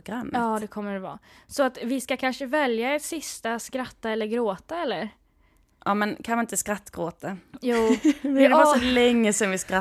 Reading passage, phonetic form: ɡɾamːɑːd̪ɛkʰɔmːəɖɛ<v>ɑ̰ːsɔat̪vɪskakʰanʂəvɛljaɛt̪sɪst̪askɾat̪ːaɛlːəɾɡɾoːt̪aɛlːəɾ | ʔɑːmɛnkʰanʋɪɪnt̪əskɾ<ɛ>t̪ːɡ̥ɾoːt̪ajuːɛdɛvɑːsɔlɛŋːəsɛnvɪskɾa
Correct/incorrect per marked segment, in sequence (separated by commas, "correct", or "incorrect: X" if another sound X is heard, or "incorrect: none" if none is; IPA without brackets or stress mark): correct, incorrect: a